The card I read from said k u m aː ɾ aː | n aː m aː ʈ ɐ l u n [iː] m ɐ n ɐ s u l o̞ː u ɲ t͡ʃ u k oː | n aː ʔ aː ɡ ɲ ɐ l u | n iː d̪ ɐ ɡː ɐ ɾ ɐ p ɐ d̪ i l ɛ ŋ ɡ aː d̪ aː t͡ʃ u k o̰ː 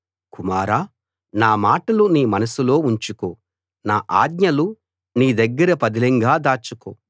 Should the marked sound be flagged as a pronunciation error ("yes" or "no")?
no